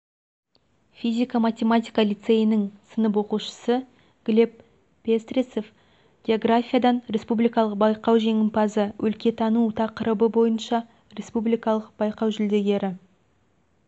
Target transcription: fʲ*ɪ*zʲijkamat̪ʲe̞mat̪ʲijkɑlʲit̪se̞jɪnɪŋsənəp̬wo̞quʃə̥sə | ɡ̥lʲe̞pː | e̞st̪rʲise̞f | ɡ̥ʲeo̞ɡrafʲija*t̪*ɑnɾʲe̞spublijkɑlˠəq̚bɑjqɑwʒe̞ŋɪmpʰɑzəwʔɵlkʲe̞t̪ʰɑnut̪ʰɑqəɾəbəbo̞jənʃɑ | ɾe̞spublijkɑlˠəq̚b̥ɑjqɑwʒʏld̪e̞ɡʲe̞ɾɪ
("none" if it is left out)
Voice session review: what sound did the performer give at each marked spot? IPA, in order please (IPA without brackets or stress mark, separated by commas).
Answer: i, d̪